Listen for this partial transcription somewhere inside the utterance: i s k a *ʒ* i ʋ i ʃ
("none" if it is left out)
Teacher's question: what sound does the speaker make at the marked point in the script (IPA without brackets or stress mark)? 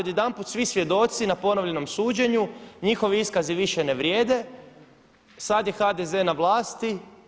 z